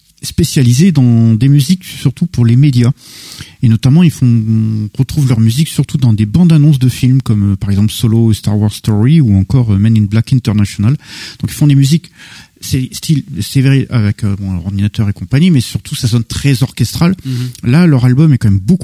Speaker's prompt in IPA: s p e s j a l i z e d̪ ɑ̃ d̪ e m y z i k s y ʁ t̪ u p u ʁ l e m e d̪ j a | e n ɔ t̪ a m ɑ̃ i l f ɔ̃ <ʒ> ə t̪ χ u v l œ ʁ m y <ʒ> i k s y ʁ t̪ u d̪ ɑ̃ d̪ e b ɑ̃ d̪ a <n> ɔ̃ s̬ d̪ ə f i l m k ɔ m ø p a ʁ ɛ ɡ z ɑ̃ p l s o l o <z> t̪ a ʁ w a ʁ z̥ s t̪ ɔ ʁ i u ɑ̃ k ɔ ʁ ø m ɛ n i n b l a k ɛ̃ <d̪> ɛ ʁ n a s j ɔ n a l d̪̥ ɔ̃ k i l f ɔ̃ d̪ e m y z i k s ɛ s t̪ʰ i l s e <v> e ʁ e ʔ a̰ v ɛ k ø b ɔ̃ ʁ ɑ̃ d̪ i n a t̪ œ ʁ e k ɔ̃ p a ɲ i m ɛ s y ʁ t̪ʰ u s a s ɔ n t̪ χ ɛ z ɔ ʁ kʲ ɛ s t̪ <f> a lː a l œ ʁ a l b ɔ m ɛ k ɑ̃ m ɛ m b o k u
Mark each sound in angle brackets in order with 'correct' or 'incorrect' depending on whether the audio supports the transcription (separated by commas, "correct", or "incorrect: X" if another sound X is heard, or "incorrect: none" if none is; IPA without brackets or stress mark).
incorrect: ʁ, incorrect: z, correct, incorrect: s, incorrect: t̪, correct, incorrect: χ